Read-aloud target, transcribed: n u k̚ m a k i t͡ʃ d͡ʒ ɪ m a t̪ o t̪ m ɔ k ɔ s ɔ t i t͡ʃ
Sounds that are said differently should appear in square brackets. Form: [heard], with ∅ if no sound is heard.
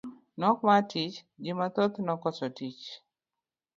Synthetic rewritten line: n [ɔ] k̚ m a [t] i t͡ʃ d͡ʒ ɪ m a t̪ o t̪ [n] ɔ k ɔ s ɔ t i t͡ʃ